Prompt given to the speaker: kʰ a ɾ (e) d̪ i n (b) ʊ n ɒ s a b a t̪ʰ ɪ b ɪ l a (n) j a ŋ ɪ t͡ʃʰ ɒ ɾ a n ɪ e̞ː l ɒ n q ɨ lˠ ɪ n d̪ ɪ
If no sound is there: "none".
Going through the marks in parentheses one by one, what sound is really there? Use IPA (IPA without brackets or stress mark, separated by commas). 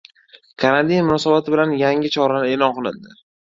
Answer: a, m, n